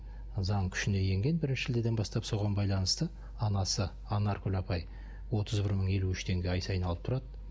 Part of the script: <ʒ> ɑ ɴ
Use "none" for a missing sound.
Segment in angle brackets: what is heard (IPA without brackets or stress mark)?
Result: z